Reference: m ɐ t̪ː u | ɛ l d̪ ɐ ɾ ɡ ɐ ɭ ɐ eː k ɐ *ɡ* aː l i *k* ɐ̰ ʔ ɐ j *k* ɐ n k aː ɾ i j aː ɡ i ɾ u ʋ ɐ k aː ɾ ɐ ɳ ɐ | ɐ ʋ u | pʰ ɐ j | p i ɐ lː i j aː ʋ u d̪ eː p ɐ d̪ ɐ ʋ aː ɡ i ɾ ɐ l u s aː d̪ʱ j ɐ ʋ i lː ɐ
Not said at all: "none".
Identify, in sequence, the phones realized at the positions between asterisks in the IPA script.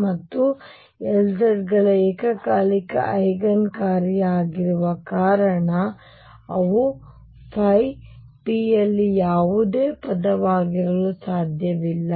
k, k, ɡ

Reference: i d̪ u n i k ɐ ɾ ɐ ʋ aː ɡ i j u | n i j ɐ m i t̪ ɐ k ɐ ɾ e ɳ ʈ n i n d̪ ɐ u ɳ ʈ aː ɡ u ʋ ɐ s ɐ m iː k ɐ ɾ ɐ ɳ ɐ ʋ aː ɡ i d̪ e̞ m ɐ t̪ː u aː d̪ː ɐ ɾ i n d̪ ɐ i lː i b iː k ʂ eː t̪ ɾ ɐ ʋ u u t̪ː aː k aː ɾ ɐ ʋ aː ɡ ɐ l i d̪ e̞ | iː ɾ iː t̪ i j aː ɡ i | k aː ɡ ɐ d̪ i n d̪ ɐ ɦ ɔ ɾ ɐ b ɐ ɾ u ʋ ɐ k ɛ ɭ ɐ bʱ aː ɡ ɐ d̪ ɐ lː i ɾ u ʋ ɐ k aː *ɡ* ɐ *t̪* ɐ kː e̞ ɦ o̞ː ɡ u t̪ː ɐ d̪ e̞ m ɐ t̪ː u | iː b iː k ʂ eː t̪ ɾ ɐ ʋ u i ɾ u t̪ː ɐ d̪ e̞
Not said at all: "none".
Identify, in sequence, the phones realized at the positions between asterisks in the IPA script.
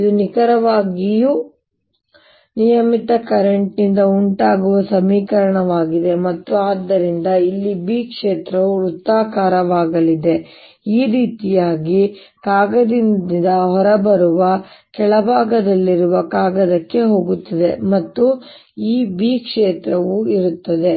ɡ, d̪

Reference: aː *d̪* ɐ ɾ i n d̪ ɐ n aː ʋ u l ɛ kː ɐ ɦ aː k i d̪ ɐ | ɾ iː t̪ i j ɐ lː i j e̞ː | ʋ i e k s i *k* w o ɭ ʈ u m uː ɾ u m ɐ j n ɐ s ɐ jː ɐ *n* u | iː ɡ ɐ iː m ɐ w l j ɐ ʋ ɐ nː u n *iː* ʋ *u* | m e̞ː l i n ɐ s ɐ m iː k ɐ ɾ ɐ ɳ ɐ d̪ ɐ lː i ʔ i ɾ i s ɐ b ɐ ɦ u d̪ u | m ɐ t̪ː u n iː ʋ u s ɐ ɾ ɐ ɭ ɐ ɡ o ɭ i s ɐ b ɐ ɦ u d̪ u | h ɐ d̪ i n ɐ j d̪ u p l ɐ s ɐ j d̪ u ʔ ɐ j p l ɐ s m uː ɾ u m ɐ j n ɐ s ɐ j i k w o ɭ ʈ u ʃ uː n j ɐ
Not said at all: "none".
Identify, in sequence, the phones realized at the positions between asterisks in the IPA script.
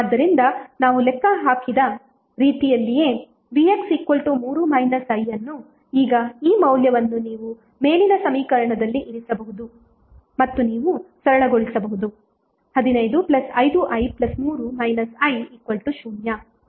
d̪ː, k, nː, iː, u

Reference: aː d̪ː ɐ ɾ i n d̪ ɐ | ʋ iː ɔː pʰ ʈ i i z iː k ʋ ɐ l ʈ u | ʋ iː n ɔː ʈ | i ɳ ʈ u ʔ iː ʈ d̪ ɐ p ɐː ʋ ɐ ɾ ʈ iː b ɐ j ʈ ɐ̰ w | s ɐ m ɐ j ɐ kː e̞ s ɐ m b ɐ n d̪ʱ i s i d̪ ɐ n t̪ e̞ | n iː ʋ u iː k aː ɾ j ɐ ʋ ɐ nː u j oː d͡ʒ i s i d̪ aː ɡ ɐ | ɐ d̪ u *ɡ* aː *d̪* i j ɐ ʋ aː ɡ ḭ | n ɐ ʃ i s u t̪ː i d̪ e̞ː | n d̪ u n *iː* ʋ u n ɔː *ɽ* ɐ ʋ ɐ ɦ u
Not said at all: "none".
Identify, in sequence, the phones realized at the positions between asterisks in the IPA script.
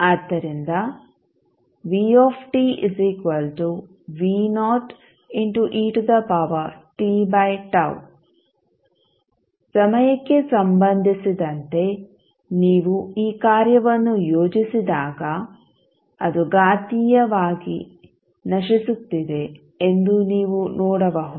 ɡ, t̪, iː, ɽ

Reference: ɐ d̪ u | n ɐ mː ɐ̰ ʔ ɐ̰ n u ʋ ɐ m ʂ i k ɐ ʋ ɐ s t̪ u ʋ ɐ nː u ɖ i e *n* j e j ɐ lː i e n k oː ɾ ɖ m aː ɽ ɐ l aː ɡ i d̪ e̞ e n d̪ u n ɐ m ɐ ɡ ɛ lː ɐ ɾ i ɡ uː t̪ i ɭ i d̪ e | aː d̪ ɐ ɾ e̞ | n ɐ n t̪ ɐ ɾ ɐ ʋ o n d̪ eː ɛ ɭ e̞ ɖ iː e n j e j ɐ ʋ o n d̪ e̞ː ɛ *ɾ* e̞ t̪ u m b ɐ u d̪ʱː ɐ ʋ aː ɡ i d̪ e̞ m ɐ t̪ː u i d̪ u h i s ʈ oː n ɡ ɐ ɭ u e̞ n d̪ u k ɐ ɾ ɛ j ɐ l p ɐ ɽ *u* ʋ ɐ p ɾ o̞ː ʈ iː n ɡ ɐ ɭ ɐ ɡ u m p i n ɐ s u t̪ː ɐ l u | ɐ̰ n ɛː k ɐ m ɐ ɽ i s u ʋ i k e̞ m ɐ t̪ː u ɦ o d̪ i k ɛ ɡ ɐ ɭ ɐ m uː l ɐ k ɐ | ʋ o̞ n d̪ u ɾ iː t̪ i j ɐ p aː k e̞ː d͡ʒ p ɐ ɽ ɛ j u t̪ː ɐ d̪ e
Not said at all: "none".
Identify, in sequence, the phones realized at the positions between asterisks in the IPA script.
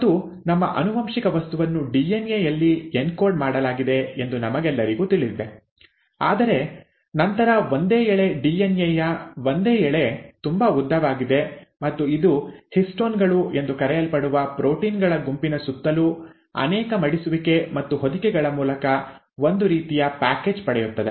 n, ɭ, u

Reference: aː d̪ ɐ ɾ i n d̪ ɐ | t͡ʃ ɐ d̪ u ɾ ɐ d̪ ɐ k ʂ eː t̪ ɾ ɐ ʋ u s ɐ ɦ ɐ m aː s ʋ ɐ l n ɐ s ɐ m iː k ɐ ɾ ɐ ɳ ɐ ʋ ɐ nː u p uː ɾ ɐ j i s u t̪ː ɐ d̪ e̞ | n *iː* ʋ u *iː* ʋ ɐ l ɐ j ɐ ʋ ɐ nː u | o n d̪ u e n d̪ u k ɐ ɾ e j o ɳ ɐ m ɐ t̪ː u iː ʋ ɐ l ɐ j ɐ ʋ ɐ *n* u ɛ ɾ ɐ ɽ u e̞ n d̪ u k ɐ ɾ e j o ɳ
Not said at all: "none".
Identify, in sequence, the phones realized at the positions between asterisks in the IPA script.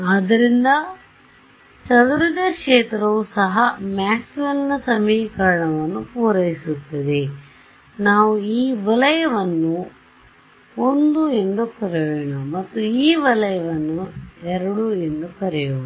aː, iː, nː

